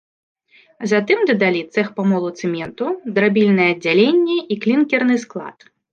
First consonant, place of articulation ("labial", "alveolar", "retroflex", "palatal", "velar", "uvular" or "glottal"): alveolar